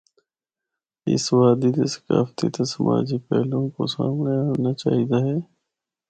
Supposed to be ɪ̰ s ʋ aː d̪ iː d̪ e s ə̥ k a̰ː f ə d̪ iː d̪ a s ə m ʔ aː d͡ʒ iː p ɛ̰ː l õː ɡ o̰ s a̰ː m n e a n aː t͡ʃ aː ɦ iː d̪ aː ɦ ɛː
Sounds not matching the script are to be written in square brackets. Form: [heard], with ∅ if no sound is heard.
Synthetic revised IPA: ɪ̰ s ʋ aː d̪ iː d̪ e s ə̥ k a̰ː f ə [t̪] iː [t̪] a s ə m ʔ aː d͡ʒ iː p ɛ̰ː l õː [k] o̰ s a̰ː m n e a n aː t͡ʃ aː ɦ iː d̪ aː ɦ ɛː

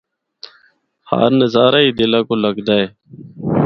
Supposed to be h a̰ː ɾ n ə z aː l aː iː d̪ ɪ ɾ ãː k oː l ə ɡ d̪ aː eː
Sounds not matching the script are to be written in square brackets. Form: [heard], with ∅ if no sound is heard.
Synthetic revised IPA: h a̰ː ɾ n ə z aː [ɾ] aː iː d̪ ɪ [l] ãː k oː l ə ɡ d̪ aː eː

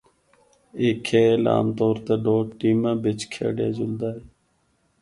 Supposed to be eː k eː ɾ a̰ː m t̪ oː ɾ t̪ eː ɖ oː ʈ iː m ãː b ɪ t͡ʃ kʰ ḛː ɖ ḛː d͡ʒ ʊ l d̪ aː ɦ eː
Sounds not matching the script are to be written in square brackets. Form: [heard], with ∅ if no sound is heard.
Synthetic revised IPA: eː [kʰ] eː [l] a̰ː m t̪ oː ɾ t̪ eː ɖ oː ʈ iː m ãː b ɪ t͡ʃ kʰ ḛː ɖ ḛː d͡ʒ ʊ l d̪ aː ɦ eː

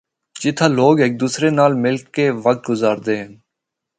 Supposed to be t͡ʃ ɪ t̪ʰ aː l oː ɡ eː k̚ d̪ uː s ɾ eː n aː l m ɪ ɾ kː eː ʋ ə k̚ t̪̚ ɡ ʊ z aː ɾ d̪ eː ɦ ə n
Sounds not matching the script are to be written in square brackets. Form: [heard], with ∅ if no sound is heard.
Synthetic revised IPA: t͡ʃ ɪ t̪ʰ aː l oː ɡ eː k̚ d̪ uː s ɾ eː n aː l m ɪ [l] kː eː ʋ ə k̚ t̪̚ ɡ ʊ z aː ɾ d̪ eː ɦ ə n

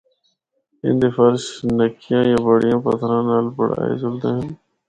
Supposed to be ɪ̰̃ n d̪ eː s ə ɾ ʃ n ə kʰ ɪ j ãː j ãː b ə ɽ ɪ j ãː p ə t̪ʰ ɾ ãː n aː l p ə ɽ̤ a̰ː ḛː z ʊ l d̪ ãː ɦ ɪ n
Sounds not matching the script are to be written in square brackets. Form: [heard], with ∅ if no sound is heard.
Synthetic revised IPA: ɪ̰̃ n d̪ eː [f] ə ɾ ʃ n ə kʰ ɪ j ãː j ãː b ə ɽ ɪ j ãː p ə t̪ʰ ɾ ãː n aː l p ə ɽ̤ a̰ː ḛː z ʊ l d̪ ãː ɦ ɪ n

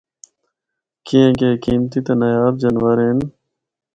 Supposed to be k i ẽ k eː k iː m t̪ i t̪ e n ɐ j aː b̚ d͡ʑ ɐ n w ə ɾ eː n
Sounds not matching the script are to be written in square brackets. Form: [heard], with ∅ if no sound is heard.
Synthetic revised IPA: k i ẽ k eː k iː m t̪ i t̪ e n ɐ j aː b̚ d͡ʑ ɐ n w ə ɾ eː n

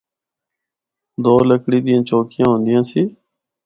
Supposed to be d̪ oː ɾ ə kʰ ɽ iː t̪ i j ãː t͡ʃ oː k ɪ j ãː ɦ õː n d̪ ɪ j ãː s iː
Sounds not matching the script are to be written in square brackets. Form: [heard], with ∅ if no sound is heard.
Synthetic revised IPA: d̪ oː [l] ə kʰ ɽ iː [d̪] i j ãː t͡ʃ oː k ɪ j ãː ɦ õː n d̪ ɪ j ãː s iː

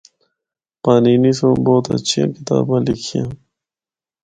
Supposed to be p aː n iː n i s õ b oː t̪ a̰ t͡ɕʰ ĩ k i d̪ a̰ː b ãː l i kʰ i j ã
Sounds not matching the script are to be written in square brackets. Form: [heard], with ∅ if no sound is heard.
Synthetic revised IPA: p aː n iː n i s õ b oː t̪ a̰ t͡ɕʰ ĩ k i [t̪] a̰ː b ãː l i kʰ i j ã

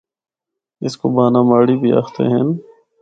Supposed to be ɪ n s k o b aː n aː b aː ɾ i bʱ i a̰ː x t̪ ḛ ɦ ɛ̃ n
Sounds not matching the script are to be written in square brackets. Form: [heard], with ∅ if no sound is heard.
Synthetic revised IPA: ɪ [∅] s k o b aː n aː [m] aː [ɽ] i bʱ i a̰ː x t̪ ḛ ɦ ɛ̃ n

